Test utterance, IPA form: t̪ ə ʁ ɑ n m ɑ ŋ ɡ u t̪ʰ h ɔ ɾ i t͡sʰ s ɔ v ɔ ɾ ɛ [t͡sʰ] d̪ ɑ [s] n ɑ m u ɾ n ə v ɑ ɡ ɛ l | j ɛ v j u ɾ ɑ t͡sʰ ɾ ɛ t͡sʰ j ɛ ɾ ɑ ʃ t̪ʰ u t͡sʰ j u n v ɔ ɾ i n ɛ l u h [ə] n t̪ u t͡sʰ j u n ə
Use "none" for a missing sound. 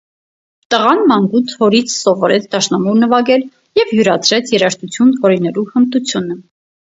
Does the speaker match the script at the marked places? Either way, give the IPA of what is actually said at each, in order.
t͡sʰ, ʃ, ə

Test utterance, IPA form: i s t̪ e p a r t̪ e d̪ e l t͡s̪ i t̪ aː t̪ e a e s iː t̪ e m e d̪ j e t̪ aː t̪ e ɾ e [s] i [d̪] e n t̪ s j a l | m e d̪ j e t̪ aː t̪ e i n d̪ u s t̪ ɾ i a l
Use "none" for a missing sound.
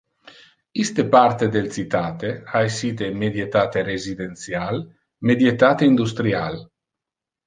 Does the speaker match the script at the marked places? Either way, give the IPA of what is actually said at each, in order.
z, d̪

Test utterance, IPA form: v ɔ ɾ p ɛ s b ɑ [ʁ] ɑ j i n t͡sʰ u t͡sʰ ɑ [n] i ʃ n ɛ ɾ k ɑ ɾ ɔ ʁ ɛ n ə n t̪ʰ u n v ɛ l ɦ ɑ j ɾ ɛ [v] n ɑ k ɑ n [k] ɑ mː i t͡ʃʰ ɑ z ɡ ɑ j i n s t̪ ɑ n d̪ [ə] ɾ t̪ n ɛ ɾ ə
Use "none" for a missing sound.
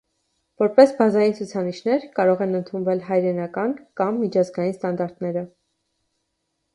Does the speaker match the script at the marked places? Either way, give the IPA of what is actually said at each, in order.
z, n, none, k, ɑ

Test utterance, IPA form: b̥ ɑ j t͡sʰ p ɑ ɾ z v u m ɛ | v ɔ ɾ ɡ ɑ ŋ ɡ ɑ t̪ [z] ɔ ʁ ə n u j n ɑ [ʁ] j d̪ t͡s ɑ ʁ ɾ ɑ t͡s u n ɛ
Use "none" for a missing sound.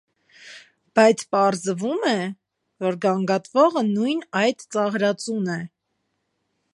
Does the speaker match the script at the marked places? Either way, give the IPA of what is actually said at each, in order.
v, none

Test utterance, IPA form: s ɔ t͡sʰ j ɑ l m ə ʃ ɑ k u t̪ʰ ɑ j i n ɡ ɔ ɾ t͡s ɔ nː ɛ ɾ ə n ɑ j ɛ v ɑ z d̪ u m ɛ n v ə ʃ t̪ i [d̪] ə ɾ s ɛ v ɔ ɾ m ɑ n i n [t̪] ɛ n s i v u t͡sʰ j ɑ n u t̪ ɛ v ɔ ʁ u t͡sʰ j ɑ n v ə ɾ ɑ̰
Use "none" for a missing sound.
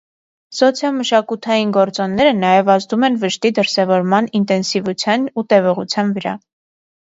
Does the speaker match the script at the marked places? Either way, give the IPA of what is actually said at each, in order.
d̪, t̪

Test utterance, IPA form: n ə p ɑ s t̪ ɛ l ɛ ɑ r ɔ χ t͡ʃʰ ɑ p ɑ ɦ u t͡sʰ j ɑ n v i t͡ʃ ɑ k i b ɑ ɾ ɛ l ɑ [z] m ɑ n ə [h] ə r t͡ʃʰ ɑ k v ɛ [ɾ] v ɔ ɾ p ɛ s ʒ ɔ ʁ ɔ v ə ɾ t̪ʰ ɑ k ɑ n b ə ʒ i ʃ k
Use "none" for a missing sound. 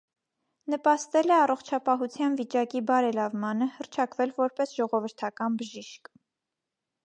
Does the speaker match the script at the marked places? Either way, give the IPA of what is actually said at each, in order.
v, h, l

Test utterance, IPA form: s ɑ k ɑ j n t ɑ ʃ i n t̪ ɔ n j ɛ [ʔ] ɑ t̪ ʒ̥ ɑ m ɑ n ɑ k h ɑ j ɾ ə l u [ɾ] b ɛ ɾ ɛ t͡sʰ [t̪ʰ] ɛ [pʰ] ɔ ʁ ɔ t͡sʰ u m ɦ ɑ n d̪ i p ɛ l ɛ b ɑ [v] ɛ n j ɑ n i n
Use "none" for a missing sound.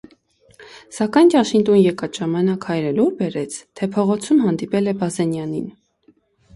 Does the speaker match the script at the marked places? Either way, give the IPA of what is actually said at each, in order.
k, ɾ, t̪ʰ, pʰ, z

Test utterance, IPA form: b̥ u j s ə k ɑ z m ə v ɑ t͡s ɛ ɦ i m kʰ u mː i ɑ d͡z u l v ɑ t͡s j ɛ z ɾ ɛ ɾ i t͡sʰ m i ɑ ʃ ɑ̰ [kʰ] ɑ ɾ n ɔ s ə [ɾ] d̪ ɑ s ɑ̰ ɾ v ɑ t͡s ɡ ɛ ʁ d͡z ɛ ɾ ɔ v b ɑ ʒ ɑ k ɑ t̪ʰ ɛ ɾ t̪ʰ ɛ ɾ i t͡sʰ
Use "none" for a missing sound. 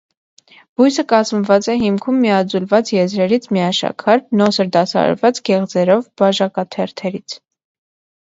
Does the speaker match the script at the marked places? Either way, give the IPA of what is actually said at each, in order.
kʰ, ɾ

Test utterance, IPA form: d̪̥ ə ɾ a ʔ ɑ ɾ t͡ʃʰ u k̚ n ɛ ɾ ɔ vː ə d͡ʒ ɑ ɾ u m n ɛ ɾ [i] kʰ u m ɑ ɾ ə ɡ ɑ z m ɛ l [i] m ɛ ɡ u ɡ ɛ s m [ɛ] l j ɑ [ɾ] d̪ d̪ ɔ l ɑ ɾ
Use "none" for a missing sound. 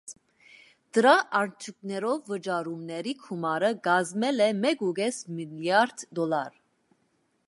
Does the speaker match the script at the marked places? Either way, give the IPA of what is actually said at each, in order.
i, ɛ, i, ɾ

